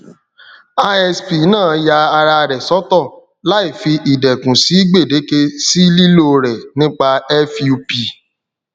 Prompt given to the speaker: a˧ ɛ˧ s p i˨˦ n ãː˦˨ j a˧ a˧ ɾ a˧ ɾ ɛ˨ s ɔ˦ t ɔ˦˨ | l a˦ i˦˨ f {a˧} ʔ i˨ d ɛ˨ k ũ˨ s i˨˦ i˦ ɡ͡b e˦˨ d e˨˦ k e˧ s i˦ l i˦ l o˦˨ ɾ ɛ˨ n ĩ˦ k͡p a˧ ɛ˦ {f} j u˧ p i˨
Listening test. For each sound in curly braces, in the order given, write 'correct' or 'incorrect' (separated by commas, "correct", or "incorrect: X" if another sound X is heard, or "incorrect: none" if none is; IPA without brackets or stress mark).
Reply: incorrect: i˧, correct